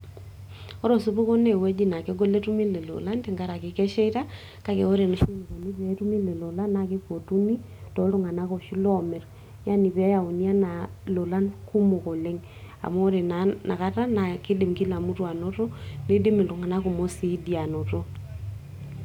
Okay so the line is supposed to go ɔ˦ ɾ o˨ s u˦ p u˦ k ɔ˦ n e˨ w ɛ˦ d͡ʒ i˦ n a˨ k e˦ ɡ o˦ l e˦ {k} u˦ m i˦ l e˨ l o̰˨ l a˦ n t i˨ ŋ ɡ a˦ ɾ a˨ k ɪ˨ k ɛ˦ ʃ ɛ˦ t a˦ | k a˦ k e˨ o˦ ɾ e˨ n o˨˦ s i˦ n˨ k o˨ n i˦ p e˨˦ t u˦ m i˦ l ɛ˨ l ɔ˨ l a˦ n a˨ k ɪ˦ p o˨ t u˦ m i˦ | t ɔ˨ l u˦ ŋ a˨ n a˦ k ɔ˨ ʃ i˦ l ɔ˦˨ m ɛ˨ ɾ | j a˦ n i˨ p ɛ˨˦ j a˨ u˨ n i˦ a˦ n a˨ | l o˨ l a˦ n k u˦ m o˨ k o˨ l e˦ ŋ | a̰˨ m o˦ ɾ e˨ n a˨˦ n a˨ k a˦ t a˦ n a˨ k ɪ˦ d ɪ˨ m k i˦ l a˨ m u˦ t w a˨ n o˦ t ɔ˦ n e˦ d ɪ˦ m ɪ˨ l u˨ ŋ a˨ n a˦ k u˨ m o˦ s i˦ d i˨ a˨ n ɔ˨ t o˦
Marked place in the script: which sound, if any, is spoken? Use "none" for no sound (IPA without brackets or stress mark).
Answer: t